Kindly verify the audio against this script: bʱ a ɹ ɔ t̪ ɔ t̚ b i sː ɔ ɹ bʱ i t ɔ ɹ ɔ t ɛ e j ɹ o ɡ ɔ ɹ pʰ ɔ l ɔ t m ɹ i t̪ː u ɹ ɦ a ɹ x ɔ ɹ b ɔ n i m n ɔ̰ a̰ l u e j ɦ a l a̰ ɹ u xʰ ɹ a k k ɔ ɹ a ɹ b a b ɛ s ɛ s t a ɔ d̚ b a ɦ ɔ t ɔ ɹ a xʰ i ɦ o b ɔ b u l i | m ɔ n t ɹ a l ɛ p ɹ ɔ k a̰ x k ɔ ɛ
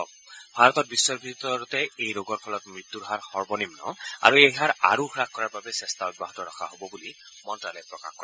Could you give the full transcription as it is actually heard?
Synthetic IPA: bʱ a ɹ ɔ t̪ ɔ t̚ b i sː ɔ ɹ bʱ i t ɔ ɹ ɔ t ɛ e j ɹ o ɡ ɔ ɹ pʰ ɔ l ɔ t m ɹ i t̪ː u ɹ ɦ a ɹ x ɔ ɹ b ɔ n i m n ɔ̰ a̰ ɹ u e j ɦ a ɹ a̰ ɹ u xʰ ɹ a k k ɔ ɹ a ɹ b a b ɛ s ɛ s t a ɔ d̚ b a ɦ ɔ t ɔ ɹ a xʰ a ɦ o b ɔ b u l i | m ɔ n t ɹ a l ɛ p ɹ ɔ k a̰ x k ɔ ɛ

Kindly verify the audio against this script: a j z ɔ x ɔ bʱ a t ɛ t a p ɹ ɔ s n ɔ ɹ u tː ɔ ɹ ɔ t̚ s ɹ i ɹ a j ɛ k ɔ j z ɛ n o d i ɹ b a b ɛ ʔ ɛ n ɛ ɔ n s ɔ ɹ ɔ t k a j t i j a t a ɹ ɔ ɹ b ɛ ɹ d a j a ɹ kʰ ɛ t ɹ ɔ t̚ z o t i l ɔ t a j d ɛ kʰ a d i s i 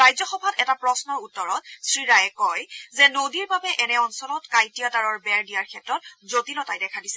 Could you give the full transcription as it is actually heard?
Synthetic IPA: a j z ɔ x ɔ bʱ a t ɛ t a p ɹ ɔ s n ɔ ɹ u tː ɔ ɹ ɔ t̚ s ɹ i ɹ a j ɛ k ɔ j z ɛ n o d i ɹ b a b ɛ ʔ ɛ n ɛ ɔ n s ɔ l ɔ t k a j t i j a t a ɹ ɔ ɹ b ɛ ɹ d i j a ɹ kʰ ɛ t ɹ ɔ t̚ z o t i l ɔ t a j d ɛ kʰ a d i s ɛ

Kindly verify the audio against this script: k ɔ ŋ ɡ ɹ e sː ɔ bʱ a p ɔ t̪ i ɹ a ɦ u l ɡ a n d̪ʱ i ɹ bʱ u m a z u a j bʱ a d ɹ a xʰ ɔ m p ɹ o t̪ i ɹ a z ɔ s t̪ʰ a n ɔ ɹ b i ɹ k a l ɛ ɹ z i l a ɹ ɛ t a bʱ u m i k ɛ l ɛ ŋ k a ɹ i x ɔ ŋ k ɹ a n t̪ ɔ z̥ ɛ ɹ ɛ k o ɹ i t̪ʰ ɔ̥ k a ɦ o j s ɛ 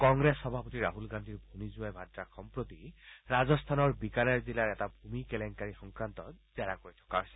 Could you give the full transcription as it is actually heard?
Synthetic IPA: k ɔ ŋ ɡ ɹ e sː ɔ bʱ a p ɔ t̪ i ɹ a ɦ u l ɡ a n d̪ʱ i ɹ bʱ u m i z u a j bʱ a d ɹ a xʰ ɔ m p ɹ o t̪ i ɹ a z ɔ s t̪ʰ a n ɔ ɹ b i k a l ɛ ɹ z i l a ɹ ɛ t a bʱ u m i k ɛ l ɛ ŋ k a ɹ i x ɔ ŋ k ɹ a n t̪ ɔ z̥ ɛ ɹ a k o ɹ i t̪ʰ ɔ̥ k a ɦ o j s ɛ

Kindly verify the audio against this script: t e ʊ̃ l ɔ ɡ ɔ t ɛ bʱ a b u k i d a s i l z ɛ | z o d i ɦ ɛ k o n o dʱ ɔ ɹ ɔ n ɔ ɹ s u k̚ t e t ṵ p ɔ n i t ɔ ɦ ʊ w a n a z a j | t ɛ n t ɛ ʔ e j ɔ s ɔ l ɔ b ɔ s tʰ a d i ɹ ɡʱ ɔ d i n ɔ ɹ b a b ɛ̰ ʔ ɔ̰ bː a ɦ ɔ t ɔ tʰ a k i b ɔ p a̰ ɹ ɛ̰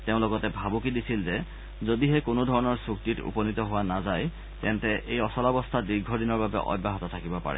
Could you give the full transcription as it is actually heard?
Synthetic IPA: t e ʊ̃ l ɔ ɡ ɔ t ɛ bʱ a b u k i d i s i l z ɛ | z o d i ɦ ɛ k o n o dʱ ɔ ɹ ɔ n ɔ ɹ s u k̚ t i t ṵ p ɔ n i t ɔ ɦ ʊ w a n a z a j | t ɛ n t ɛ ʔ e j ɔ s ɔ l ɔ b ɔ s tʰ a d i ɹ ɡʱ ɔ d i n ɔ ɹ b a b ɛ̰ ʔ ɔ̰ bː a ɦ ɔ t ɔ tʰ a k i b ɔ p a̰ ɹ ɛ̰

